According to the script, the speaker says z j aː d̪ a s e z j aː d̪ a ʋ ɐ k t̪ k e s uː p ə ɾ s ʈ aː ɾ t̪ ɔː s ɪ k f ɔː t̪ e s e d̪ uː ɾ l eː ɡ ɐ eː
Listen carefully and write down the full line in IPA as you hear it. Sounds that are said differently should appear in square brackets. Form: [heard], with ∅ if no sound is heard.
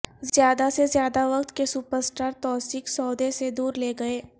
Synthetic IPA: z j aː d̪ a s e z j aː d̪ a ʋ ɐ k t̪ k e s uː p ə ɾ s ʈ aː ɾ t̪ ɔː s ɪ k [s] ɔː [d̪] e s e d̪ uː ɾ l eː ɡ ɐ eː